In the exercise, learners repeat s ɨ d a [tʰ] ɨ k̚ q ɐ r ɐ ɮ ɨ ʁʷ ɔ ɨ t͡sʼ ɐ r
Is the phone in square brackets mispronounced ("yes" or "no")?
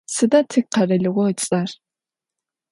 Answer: no